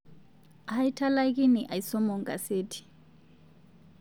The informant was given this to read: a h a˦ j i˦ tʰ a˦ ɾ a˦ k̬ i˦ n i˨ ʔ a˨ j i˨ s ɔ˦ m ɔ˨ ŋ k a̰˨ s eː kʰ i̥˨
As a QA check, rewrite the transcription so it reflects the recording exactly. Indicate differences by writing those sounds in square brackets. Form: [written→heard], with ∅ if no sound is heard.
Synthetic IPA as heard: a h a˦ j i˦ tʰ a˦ [ɾ→l] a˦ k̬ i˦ n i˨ ʔ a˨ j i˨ s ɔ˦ m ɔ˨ ŋ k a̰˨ s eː [kʰ→tʰ] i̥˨